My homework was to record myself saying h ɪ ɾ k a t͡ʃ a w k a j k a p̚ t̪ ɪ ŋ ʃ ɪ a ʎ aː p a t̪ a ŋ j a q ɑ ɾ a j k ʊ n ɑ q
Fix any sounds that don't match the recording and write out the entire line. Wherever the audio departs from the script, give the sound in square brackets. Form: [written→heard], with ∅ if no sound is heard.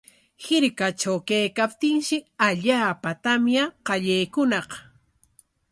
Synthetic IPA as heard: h ɪ ɾ k a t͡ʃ a w k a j k a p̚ t̪ ɪ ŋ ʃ ɪ a ʎ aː p a t̪ a [ŋ→m] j a q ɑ [ɾ→ʎ] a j k ʊ n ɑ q